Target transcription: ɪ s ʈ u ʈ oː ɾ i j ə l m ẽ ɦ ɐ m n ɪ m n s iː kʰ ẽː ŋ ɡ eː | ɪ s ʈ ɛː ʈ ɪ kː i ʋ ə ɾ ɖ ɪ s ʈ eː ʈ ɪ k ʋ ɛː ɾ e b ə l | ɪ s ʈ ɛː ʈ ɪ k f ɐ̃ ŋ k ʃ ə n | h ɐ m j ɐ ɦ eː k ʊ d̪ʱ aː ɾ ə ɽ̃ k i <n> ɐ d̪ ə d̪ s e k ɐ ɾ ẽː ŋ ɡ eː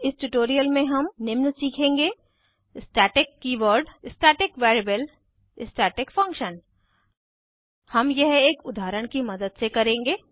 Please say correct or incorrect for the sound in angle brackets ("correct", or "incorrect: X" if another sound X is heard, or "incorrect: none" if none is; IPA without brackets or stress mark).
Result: incorrect: m